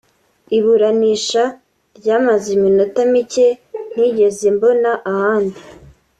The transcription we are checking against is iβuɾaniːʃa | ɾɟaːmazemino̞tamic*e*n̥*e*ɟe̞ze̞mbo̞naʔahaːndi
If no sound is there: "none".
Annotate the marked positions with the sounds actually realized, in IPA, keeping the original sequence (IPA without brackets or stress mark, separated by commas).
e, i